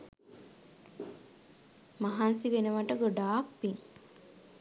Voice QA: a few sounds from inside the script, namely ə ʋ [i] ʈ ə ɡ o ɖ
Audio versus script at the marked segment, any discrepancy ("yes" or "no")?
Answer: yes